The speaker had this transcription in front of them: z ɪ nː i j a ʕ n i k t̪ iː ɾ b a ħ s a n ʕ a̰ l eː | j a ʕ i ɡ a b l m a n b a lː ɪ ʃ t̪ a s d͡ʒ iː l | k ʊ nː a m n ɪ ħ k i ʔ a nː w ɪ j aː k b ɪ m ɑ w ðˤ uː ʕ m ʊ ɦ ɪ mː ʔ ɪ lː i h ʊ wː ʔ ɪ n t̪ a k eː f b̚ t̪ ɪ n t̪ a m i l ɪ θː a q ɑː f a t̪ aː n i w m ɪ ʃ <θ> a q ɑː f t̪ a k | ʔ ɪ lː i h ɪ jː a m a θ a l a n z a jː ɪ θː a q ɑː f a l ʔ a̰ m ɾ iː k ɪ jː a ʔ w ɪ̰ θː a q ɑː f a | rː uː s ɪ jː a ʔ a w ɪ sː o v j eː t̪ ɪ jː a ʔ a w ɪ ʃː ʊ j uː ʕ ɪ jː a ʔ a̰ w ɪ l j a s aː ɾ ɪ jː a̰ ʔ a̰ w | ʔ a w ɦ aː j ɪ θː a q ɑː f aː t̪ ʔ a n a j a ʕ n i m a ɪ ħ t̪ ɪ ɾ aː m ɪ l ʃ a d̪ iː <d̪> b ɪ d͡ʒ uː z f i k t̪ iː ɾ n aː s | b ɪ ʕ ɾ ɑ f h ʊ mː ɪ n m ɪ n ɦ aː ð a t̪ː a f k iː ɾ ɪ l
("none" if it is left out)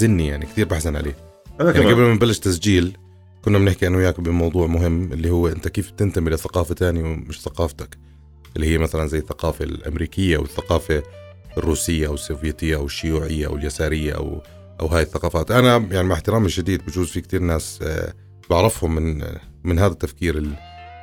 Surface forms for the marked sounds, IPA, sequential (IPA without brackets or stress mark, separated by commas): θ, d̪